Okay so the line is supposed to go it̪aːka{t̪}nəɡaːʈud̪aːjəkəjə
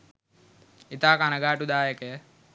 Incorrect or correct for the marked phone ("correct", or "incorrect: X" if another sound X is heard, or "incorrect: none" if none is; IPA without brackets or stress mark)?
incorrect: none